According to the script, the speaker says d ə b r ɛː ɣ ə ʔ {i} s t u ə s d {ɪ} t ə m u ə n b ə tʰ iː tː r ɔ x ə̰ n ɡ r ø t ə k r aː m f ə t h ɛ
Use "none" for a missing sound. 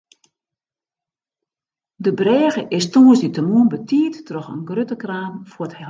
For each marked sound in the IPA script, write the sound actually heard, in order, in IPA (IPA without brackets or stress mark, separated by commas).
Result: ɪ, i